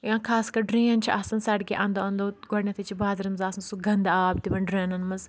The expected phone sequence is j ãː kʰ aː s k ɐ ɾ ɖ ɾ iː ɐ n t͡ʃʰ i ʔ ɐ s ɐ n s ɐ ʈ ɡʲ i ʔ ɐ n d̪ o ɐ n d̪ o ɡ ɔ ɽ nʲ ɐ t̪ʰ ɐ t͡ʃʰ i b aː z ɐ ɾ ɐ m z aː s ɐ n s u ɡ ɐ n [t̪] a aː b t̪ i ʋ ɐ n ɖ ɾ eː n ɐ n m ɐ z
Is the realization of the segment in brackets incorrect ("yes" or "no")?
yes